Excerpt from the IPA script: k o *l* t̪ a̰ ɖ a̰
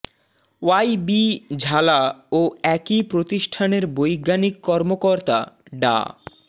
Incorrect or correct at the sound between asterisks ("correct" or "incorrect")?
incorrect